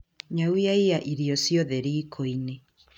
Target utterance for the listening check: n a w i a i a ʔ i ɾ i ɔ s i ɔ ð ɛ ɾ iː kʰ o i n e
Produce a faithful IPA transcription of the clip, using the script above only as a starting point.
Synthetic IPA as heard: ɲ a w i a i a ʔ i ɾ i ɔ s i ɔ ð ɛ ɾ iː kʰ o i n e